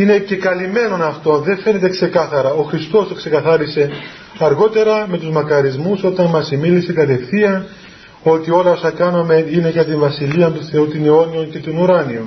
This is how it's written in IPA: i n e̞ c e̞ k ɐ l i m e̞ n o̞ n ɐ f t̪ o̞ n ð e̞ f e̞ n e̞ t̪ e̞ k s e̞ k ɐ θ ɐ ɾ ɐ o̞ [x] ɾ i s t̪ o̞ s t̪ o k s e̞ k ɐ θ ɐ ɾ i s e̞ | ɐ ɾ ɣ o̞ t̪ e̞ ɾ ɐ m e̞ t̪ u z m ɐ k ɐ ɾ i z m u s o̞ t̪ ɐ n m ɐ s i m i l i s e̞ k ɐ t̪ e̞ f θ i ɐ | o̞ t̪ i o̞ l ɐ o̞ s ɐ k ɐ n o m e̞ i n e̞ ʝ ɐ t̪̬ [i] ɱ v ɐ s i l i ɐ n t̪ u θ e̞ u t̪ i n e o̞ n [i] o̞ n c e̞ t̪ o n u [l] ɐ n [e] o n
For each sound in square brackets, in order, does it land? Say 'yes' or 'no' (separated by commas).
yes, yes, yes, no, no